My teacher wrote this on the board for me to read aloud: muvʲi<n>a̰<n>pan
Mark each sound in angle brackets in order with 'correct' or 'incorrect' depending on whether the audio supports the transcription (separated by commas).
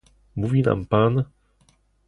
correct, incorrect